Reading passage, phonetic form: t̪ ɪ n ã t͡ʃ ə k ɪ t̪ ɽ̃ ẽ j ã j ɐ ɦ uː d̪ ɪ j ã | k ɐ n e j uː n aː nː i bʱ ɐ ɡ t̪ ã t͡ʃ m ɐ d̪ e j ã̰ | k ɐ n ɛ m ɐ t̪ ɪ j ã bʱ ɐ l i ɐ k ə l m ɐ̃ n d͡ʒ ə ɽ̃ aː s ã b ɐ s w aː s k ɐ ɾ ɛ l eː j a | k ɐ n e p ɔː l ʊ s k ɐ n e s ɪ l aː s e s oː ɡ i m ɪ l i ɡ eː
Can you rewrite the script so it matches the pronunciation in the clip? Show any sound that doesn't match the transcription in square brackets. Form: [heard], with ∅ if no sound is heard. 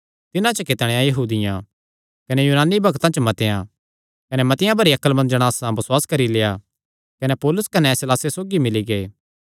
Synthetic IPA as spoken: t̪ ɪ n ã t͡ʃ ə k ɪ t̪ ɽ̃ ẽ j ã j ɐ ɦ uː d̪ ɪ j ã | k ɐ n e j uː n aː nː i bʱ ɐ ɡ t̪ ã t͡ʃ m ɐ [t̪] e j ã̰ | k ɐ n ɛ m ɐ t̪ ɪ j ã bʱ ɐ [ɾ] i ɐ k ə l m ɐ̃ n d͡ʒ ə ɽ̃ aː s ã b ɐ s w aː s k ɐ ɾ [i] l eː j a | k ɐ n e p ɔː l ʊ s k ɐ n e s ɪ l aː s e s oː ɡ i m ɪ l i ɡ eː